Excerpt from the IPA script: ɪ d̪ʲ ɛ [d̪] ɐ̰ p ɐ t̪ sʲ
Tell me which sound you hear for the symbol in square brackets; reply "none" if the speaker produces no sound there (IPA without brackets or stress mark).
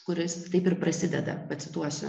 d̪